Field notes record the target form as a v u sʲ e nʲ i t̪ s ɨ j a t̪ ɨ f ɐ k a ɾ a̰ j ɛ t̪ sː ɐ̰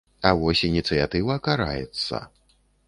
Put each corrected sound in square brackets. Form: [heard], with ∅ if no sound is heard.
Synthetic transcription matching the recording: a v [ɔ] sʲ [i] nʲ i t̪ s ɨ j a t̪ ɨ [v] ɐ k a ɾ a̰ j ɛ t̪ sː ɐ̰